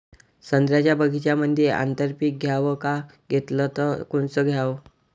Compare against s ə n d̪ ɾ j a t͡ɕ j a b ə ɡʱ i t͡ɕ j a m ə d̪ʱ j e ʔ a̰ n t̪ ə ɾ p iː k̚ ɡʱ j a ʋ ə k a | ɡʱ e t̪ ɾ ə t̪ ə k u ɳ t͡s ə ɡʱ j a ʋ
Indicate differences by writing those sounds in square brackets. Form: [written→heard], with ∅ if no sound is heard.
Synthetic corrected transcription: s ə n d̪ ɾ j a t͡ɕ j a b ə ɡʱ i t͡ɕ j a m ə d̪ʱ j e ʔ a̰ n t̪ ə ɾ p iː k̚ ɡʱ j a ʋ ə k a | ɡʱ e t̪ [ɾ→l] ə t̪ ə k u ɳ t͡s ə ɡʱ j a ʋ